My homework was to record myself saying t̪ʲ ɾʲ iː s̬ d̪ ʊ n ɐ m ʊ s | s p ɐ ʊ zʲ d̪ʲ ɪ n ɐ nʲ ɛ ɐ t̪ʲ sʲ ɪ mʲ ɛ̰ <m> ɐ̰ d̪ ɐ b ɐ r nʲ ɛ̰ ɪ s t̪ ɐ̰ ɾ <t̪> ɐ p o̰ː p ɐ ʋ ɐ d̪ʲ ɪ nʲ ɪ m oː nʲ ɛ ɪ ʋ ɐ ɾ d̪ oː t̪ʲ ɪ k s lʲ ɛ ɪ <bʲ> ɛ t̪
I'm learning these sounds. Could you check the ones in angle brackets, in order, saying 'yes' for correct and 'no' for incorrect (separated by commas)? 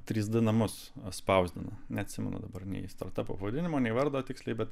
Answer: no, yes, yes